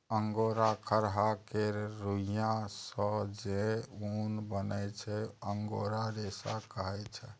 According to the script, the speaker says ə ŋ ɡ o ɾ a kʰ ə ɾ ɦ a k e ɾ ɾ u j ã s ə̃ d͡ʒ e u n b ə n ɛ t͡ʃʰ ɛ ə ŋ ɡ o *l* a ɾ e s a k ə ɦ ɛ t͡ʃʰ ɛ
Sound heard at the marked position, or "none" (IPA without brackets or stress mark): ɾ